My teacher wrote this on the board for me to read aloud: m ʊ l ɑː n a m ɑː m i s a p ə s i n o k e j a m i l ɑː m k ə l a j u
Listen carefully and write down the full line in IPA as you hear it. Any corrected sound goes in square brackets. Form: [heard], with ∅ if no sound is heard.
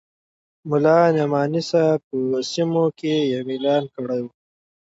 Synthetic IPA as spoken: m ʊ l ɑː n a m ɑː [n] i s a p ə s i [m] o k e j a m i l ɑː [n] k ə [ɽ] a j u